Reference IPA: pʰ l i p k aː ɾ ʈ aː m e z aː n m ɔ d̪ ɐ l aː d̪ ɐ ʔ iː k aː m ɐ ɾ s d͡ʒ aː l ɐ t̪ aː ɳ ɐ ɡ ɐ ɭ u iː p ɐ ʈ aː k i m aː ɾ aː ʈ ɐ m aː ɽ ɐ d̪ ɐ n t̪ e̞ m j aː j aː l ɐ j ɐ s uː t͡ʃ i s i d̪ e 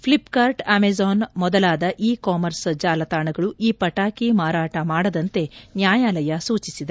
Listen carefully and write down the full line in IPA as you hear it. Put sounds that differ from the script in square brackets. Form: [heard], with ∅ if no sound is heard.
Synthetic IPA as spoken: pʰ l i p k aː ɾ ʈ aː m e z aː n m ɔ d̪ ɐ l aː d̪ ɐ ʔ iː k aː m ɐ ɾ s d͡ʒ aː l ɐ t̪ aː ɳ ɐ ɡ ɐ ɭ u iː p ɐ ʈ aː k i m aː ɾ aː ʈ ɐ m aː ɽ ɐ d̪ ɐ n t̪ e̞ [n] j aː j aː l ɐ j ɐ s uː t͡ʃ i s i d̪ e

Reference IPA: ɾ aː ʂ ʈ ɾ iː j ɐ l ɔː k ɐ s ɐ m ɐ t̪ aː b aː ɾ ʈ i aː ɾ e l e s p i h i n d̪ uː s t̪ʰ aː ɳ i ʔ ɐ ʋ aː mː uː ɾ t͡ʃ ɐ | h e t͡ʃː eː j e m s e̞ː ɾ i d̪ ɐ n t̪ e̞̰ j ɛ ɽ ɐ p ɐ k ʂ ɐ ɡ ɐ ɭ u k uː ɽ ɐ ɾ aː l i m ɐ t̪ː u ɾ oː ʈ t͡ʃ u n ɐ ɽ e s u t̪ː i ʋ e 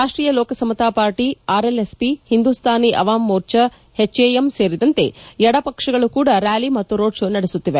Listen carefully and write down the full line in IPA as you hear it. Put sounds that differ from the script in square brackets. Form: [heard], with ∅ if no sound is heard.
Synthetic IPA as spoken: ɾ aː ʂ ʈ ɾ iː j ɐ l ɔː k ɐ s ɐ m ɐ t̪ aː [p] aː ɾ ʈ i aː ɾ e l e s p i h i n d̪ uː s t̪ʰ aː [n] i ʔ ɐ ʋ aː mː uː ɾ t͡ʃ ɐ | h e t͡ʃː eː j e m s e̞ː ɾ i d̪ ɐ n t̪ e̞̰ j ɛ ɽ ɐ p ɐ k ʂ ɐ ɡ ɐ ɭ u k uː ɽ ɐ ɾ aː l i m ɐ t̪ː u ɾ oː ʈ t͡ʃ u n ɐ ɽ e s u t̪ː i ʋ e

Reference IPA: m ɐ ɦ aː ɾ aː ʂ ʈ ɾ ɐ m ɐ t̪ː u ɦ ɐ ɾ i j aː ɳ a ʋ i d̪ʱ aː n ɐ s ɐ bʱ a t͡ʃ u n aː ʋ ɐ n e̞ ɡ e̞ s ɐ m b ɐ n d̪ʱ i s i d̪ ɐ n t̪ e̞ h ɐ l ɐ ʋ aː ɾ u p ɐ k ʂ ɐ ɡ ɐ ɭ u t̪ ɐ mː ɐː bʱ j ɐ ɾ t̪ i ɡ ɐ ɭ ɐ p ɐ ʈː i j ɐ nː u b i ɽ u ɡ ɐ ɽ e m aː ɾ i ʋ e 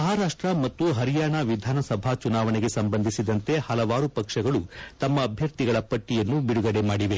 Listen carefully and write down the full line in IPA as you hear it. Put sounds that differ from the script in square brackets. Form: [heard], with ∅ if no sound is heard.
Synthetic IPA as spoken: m ɐ ɦ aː ɾ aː ʂ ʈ ɾ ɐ m ɐ t̪ː u ɦ ɐ ɾ i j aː ɳ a ʋ i d̪ʱ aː n ɐ s ɐ bʱ a t͡ʃ u n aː ʋ ɐ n e̞ ɡ e̞ s ɐ m b ɐ n d̪ʱ i s i d̪ ɐ n t̪ e̞ h ɐ l ɐ ʋ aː ɾ u p ɐ k ʂ ɐ ɡ ɐ ɭ u t̪ ɐ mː ɐː bʱ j ɐ ɾ t̪ i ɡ ɐ ɭ ɐ p ɐ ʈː i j ɐ nː u b i ɽ u ɡ ɐ ɽ e m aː [ɽ] i ʋ e

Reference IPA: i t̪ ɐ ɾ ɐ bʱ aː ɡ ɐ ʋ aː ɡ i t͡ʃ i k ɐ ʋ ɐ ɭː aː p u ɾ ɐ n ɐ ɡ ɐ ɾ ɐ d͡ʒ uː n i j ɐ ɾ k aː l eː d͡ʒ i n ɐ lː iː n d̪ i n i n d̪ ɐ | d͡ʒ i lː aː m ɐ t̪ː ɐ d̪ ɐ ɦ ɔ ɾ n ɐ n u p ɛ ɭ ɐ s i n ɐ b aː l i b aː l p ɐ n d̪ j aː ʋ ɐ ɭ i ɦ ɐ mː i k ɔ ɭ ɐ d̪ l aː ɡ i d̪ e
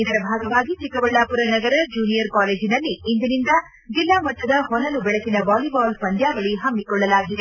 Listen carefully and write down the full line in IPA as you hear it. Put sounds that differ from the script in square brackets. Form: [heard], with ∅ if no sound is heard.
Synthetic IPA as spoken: i [d̪] ɐ ɾ ɐ bʱ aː ɡ ɐ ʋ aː ɡ i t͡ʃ i k ɐ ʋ ɐ ɭː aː p u ɾ ɐ n ɐ ɡ ɐ ɾ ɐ d͡ʒ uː n i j ɐ ɾ k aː l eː d͡ʒ i n ɐ lː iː n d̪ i n i n d̪ ɐ | d͡ʒ i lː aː m ɐ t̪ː ɐ d̪ ɐ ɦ ɔ [∅] n ɐ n u [b] ɛ ɭ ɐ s i n ɐ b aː l i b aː l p ɐ n d̪ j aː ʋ ɐ ɭ i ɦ ɐ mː i k ɔ [ɭː] ɐ [∅] l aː ɡ i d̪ e

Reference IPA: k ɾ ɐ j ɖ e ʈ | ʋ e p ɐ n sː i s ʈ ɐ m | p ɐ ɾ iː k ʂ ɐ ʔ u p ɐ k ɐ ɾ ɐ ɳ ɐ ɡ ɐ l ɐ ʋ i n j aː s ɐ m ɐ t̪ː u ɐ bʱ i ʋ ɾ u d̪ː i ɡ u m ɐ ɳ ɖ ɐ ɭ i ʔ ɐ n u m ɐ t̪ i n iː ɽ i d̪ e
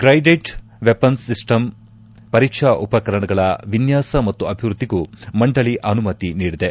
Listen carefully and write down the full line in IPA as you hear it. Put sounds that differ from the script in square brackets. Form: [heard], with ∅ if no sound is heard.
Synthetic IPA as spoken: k ɾ ɐ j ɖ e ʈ | ʋ e p ɐ n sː i s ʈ ɐ m | p ɐ ɾ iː k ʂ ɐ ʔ u p ɐ k ɐ ɾ ɐ ɳ ɐ ɡ ɐ [ɭ] ɐ ʋ i n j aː s ɐ m ɐ t̪ː u ɐ bʱ i ʋ ɾ u d̪ː i ɡ u m ɐ ɳ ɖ ɐ ɭ i ʔ ɐ n u m ɐ t̪ i n iː ɽ i d̪ e

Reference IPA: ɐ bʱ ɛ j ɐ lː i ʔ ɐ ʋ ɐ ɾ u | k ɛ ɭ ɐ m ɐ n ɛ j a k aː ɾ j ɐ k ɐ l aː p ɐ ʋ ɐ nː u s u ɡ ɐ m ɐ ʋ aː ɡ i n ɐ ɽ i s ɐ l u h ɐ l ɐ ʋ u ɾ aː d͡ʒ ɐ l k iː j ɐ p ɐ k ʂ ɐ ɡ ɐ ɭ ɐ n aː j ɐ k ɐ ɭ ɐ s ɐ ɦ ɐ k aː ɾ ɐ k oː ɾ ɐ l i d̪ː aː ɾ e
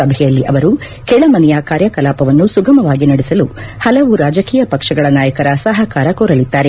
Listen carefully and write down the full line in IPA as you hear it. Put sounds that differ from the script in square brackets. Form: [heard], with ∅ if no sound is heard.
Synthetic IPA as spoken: ɐ bʱ ɛ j ɐ lː i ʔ ɐ ʋ ɐ ɾ u | k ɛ ɭ ɐ m ɐ n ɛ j a k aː ɾ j ɐ k ɐ l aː p ɐ ʋ ɐ nː u s u ɡ ɐ m ɐ ʋ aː ɡ i n ɐ ɽ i s ɐ l u h ɐ l ɐ ʋ u ɾ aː d͡ʒ ɐ [∅] k iː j ɐ p ɐ k ʂ ɐ ɡ ɐ ɭ ɐ n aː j ɐ k ɐ [ɾ] ɐ s ɐ ɦ ɐ k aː ɾ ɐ k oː ɾ ɐ l i d̪ː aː ɾ e

